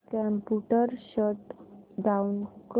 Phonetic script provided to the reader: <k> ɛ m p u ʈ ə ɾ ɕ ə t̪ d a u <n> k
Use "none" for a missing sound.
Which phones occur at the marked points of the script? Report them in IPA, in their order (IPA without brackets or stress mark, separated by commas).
k, n